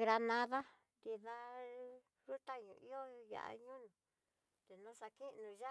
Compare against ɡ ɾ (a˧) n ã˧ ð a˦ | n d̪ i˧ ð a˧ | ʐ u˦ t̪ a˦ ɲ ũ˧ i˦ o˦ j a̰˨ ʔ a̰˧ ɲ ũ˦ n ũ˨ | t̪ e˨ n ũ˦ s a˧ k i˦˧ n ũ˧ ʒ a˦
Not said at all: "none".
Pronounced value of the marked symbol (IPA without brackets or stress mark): a˧